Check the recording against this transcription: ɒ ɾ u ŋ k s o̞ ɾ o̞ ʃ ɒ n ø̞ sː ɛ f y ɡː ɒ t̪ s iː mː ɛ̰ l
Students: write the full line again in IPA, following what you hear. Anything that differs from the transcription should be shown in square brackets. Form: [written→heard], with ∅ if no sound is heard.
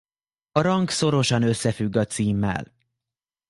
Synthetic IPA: ɒ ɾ [u→ɒ] ŋ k s o̞ ɾ o̞ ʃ ɒ n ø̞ sː ɛ f y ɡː ɒ t̪ s iː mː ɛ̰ l

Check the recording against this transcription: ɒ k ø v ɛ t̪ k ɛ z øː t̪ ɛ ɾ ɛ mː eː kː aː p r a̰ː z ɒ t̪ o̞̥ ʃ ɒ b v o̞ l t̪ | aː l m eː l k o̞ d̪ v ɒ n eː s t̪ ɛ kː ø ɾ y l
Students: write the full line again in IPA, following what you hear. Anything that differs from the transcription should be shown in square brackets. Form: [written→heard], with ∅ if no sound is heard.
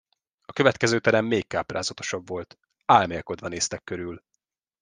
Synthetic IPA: ɒ k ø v ɛ t̪ k ɛ z øː t̪ ɛ ɾ ɛ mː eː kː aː p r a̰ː z ɒ t̪ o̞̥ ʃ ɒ b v o̞ l t̪ | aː l m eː l k o̞ d̪ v ɒ n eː s t̪ ɛ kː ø ɾ y l

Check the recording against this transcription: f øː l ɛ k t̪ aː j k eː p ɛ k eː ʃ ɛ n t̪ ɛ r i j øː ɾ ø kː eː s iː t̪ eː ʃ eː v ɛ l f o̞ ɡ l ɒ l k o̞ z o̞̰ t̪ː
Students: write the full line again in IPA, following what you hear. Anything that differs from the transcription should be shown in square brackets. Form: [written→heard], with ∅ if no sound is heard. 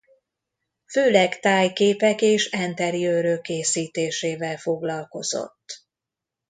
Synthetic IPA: f øː l ɛ k t̪ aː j k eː p ɛ k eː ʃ ɛ n t̪ ɛ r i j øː ɾ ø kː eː s iː t̪ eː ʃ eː v ɛ l f o̞ ɡ l ɒ l k o̞ z o̞̰ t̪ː

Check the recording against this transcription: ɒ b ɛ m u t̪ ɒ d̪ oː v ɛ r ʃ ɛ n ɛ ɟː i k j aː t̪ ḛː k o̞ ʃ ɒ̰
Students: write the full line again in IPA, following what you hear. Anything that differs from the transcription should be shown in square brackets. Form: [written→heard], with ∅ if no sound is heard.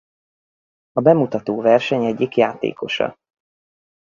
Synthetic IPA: ɒ b ɛ m u t̪ ɒ [d̪→t̪] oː v ɛ r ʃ ɛ [n→ɲ] ɛ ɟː i k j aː t̪ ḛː k o̞ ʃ ɒ̰

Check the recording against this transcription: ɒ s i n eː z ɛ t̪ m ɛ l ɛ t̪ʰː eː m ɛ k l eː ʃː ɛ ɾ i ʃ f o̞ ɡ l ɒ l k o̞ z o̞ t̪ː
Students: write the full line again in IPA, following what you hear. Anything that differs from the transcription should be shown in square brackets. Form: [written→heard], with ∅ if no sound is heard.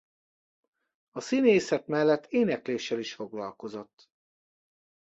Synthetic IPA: ɒ s i n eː [z→s] ɛ t̪ m ɛ [l→lː] ɛ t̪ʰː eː [m→n] ɛ k l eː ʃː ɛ [ɾ→l] i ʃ f o̞ ɡ l ɒ l k o̞ z o̞ t̪ː

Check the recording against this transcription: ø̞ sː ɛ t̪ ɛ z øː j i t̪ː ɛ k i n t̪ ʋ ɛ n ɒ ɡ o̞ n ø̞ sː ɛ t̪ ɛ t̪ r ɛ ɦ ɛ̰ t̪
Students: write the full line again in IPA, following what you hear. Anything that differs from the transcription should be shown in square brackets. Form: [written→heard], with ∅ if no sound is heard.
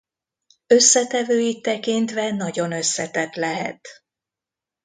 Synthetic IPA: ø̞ sː ɛ t̪ ɛ [z→v] øː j i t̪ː ɛ k i n t̪ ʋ ɛ n ɒ [ɡ→ɟ] o̞ n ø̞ sː ɛ t̪ ɛ t̪ [r→l] ɛ ɦ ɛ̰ t̪

